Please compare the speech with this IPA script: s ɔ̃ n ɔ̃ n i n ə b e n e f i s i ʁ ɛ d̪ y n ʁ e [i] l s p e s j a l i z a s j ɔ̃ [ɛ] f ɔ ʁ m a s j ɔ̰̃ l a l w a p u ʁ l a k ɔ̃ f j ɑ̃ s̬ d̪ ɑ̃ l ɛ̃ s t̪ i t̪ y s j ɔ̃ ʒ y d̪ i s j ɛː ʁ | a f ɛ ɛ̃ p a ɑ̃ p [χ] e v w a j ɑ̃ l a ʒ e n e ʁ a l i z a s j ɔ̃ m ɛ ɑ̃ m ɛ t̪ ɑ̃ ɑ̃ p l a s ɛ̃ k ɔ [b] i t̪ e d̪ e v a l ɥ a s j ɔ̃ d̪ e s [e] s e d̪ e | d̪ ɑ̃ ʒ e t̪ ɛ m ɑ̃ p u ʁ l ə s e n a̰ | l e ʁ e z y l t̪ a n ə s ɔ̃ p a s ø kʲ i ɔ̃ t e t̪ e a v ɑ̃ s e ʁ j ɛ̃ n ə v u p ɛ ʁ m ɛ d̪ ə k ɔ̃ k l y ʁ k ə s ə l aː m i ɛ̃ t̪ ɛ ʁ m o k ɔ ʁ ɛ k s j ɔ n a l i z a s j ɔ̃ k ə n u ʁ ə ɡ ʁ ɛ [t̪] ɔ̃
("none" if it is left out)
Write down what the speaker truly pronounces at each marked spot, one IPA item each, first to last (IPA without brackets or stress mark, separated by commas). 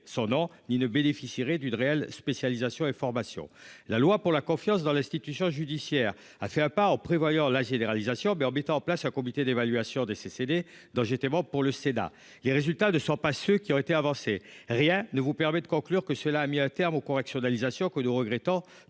ɛ, e, χ, m, e, t̪